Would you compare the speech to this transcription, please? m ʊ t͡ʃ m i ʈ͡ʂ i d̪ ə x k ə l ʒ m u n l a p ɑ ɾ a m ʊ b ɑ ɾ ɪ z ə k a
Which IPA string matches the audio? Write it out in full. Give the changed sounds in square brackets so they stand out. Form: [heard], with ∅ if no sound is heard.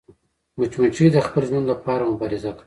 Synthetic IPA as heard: m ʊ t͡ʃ m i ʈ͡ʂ i d̪ ə x [p] ə l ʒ m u n l a p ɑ ɾ a m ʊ b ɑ ɾ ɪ z [a] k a